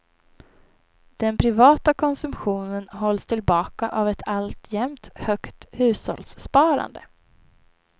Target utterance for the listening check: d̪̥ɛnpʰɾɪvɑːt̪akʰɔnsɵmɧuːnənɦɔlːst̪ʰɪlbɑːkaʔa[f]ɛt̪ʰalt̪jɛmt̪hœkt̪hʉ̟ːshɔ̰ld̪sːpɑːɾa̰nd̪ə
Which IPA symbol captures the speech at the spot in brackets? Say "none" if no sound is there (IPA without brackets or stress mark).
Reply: v